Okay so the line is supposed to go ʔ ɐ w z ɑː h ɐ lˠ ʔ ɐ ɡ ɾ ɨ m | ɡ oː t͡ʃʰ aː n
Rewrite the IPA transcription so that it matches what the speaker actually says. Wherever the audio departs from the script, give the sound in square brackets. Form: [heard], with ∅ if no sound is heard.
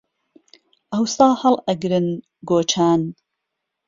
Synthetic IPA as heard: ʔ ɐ w [s] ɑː h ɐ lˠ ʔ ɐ ɡ ɾ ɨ [n] | ɡ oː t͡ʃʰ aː n